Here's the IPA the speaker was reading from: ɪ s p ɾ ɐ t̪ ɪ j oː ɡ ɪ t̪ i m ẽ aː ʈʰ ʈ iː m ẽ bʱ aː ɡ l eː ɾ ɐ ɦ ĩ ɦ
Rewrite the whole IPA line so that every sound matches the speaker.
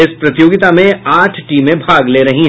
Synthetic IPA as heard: ɪ s p ɾ ɐ t̪ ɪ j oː ɡ ɪ t̪ a m ẽ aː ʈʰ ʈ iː m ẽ bʱ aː ɡ l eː ɾ ɐ ɦ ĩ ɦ